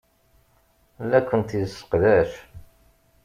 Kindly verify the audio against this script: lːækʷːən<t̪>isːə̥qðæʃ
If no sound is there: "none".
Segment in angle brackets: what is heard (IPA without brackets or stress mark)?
t̪